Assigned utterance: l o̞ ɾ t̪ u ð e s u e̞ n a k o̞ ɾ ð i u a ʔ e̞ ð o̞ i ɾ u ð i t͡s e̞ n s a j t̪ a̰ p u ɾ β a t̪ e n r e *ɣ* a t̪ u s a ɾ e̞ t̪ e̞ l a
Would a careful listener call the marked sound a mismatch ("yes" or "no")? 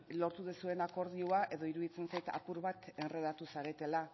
yes